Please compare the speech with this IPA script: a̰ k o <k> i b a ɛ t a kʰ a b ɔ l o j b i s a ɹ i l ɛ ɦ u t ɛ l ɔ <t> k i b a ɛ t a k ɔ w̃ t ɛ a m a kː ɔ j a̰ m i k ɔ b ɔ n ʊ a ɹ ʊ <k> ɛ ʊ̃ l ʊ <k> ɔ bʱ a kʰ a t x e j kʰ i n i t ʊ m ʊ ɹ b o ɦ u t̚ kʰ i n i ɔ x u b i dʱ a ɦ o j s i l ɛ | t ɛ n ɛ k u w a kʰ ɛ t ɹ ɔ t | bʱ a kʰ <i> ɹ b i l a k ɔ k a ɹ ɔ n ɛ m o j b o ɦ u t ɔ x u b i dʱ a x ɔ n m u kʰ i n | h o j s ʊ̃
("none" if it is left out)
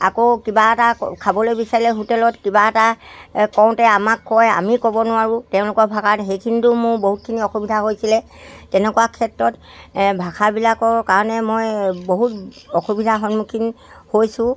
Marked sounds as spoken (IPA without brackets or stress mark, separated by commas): k, t, t, k, a